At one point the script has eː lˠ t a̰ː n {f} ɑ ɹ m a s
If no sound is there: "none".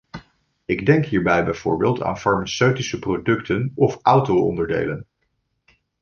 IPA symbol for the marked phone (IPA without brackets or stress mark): f